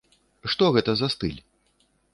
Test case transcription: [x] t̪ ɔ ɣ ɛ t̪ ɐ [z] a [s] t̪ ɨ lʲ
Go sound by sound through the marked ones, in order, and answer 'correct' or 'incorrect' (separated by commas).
incorrect, correct, correct